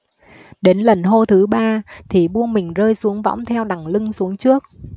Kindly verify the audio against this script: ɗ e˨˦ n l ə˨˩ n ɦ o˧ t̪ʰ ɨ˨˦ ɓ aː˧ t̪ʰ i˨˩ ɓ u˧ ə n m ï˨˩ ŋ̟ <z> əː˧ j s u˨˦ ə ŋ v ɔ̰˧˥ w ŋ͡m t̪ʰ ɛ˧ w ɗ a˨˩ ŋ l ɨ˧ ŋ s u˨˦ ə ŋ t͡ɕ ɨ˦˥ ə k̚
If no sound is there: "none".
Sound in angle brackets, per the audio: z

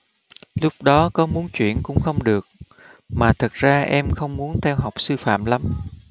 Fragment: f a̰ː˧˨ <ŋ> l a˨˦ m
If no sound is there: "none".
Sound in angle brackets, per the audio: m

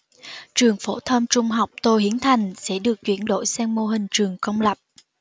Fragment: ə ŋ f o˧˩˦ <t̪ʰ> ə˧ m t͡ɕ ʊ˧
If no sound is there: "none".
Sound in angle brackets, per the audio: t̪ʰ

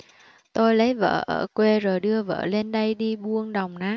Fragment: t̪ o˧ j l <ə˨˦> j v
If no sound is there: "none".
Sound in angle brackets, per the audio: ə˨˦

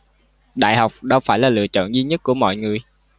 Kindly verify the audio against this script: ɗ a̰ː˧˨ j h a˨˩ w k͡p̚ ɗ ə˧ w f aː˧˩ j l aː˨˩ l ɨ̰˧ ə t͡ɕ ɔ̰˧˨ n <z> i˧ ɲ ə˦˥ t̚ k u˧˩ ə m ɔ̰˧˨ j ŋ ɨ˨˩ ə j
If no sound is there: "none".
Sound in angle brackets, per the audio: z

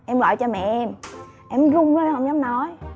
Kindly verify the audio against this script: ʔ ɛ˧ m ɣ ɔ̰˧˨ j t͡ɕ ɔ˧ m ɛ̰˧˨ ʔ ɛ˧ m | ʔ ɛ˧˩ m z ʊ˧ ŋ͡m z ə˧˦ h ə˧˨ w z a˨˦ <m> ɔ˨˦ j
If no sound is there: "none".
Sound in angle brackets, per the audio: n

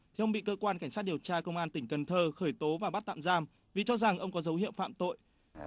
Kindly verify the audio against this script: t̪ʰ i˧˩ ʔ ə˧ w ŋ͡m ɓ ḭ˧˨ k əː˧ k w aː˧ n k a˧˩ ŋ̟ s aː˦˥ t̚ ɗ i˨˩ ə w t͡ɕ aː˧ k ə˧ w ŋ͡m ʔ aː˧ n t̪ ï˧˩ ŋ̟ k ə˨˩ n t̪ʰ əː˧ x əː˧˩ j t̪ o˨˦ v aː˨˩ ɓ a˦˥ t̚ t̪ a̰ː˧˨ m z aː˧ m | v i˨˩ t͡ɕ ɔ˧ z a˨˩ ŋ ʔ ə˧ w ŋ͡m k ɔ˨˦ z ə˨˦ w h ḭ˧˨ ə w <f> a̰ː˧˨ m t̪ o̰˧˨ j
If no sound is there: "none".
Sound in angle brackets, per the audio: f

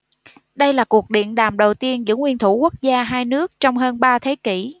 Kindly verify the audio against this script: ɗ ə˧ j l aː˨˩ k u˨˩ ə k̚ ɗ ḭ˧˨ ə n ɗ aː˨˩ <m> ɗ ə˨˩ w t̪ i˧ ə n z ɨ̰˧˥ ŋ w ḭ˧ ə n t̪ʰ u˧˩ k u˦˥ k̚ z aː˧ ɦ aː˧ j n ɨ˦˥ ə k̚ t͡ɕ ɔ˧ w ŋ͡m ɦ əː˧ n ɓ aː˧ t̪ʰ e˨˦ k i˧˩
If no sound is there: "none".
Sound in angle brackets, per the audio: m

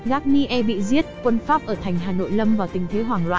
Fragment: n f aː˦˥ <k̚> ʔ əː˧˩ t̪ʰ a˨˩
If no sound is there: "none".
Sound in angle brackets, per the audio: p̚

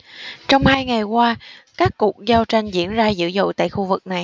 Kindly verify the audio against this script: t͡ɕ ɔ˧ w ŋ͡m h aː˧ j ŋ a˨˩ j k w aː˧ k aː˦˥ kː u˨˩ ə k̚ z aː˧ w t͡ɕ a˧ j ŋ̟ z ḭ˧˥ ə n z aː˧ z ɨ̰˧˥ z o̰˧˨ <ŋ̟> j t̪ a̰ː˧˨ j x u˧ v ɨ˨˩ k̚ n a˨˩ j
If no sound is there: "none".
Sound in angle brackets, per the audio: none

